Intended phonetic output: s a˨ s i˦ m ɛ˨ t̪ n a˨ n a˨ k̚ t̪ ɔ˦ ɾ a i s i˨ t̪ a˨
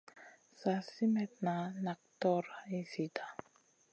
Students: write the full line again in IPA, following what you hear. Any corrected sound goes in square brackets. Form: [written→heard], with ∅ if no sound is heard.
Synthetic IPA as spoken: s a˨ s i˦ m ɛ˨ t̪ n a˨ n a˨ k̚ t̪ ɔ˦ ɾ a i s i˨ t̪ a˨